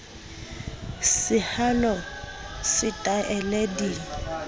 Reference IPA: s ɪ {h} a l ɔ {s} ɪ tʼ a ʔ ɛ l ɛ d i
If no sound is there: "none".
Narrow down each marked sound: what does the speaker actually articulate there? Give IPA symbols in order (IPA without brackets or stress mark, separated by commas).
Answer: h, s